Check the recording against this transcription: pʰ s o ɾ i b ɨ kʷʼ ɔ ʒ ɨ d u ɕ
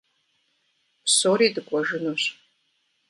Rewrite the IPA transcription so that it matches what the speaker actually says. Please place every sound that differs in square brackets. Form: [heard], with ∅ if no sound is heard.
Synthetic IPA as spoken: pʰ s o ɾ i [d] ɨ kʷʼ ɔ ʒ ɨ [n] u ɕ